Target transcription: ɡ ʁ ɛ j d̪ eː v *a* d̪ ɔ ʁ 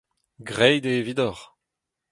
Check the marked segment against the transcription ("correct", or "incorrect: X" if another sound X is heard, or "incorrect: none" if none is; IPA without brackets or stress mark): incorrect: i